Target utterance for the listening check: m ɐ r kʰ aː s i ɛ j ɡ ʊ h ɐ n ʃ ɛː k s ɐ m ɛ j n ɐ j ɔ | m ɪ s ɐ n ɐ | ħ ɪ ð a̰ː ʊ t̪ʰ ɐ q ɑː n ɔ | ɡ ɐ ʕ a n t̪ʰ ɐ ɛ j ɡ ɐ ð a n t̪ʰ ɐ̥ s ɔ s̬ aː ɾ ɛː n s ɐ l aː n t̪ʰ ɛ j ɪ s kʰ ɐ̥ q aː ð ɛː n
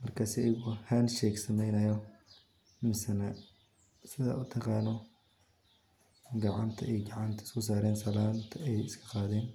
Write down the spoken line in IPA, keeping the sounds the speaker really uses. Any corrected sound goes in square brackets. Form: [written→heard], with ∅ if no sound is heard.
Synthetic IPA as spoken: m ɐ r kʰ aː s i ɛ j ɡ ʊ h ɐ n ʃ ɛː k s ɐ m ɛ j n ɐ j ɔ | m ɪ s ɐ n ɐ | [ħ→s] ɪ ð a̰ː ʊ t̪ʰ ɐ q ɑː n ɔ | ɡ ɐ ʕ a n t̪ʰ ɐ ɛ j ɡ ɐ [ð→ʕ] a n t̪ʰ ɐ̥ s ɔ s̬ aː ɾ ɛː n s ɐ l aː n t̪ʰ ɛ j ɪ s kʰ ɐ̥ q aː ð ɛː n